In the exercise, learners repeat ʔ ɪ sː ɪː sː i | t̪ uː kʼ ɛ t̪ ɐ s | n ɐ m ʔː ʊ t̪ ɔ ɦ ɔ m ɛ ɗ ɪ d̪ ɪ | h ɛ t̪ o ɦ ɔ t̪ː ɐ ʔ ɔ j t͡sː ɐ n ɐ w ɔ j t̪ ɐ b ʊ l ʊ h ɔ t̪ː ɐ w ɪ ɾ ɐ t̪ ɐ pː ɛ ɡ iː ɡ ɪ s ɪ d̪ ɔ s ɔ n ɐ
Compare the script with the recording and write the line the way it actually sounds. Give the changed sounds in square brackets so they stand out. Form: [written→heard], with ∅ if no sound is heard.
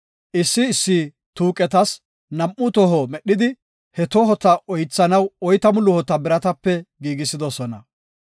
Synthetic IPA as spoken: ʔ ɪ sː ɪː sː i | t̪ uː kʼ ɛ t̪ ɐ s | n ɐ m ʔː ʊ t̪ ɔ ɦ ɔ m ɛ ɗ ɪ d̪ ɪ | h ɛ t̪ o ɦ ɔ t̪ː ɐ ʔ ɔ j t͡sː ɐ n ɐ w ɔ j t̪ ɐ [b→m] ʊ l ʊ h ɔ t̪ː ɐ [w→b] ɪ ɾ ɐ t̪ ɐ pː ɛ ɡ iː ɡ ɪ s ɪ d̪ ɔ s ɔ n ɐ

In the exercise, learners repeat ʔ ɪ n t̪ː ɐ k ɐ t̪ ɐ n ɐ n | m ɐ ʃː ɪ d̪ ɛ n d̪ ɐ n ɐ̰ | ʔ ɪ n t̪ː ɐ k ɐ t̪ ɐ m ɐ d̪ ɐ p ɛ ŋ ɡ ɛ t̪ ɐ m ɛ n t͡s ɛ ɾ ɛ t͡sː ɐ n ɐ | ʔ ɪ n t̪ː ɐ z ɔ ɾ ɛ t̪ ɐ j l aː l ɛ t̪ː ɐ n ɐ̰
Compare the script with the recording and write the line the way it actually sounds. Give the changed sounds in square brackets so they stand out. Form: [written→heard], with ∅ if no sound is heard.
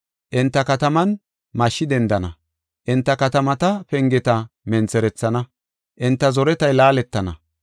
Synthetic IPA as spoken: ʔ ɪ n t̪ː ɐ k ɐ t̪ ɐ [n→m] ɐ n | m ɐ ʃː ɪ d̪ ɛ n d̪ ɐ n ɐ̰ | ʔ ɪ n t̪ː ɐ k ɐ t̪ ɐ m ɐ [d̪→t̪] ɐ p ɛ ŋ ɡ ɛ t̪ ɐ m ɛ n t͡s ɛ ɾ ɛ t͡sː ɐ n ɐ | ʔ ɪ n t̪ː ɐ z ɔ ɾ ɛ t̪ ɐ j l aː l ɛ t̪ː ɐ n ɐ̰

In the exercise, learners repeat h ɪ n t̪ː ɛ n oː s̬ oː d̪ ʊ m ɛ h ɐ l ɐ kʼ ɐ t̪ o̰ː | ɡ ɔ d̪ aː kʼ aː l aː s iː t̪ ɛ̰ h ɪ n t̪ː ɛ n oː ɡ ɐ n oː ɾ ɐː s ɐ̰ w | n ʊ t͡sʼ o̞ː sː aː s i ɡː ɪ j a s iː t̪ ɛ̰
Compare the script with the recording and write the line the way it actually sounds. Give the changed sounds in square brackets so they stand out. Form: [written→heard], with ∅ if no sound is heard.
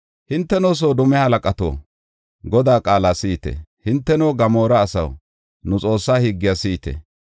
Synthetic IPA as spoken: h ɪ n t̪ː ɛ n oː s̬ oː d̪ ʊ m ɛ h ɐ l ɐ kʼ ɐ t̪ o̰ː | ɡ ɔ d̪ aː kʼ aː l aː s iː t̪ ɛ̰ h ɪ n t̪ː ɛ n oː ɡ ɐ [n→m] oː ɾ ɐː s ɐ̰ w | n ʊ t͡sʼ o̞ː sː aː [s→h] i ɡː ɪ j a s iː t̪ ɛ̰

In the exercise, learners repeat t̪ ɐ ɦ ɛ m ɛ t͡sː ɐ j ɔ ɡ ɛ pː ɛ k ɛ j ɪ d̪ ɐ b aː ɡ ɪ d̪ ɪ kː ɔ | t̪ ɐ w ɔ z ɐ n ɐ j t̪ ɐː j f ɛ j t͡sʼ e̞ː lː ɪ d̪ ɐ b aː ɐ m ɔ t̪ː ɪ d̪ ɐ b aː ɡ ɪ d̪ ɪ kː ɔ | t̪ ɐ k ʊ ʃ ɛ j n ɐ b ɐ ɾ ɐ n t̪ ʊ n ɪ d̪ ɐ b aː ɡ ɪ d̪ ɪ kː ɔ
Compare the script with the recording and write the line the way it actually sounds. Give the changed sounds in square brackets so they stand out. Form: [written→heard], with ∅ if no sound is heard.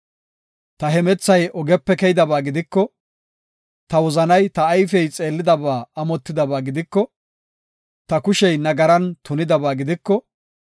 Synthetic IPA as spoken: t̪ ɐ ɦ ɛ m ɛ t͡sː ɐ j ɔ ɡ ɛ pː ɛ k ɛ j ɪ d̪ ɐ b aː ɡ ɪ d̪ ɪ kː ɔ | t̪ ɐ w ɔ z ɐ n ɐ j t̪ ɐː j f ɛ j t͡sʼ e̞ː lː ɪ d̪ ɐ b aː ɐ m ɔ t̪ː ɪ d̪ ɐ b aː ɡ ɪ d̪ ɪ kː ɔ | t̪ ɐ k ʊ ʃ ɛ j n ɐ [b→ɡ] ɐ ɾ ɐ n t̪ ʊ n ɪ d̪ ɐ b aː ɡ ɪ d̪ ɪ kː ɔ

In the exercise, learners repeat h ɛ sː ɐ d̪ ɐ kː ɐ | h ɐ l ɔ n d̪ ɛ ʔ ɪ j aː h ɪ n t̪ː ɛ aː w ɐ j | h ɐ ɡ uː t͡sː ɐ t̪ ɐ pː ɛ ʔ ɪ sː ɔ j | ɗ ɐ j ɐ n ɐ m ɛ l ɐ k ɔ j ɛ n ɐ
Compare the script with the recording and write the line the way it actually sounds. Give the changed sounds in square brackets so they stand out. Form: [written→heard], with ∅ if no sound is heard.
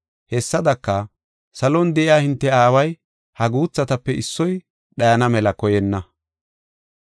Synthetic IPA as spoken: h ɛ sː ɐ d̪ ɐ kː ɐ | [h→s] ɐ l ɔ n d̪ ɛ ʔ ɪ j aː h ɪ n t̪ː ɛ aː w ɐ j | h ɐ ɡ uː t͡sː ɐ t̪ ɐ pː ɛ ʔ ɪ sː ɔ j | ɗ ɐ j ɐ n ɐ m ɛ l ɐ k ɔ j ɛ [n→nː] ɐ

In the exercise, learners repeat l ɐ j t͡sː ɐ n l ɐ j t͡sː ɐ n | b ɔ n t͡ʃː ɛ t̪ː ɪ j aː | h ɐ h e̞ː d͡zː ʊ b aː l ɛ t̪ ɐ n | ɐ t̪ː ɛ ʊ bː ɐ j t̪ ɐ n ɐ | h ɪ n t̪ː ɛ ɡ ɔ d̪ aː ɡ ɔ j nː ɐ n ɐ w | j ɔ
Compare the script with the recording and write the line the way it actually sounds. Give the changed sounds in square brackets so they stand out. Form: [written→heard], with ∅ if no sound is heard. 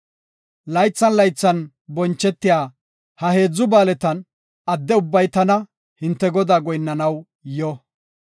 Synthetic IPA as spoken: l ɐ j t͡sː ɐ n l ɐ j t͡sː ɐ n | b ɔ n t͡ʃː ɛ t̪ː ɪ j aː | h ɐ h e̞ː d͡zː ʊ b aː l ɛ t̪ ɐ n | ɐ [t̪ː→d̪ː] ɛ ʊ bː ɐ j t̪ ɐ n ɐ | h ɪ n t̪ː ɛ ɡ ɔ d̪ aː ɡ ɔ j nː ɐ n ɐ w | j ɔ

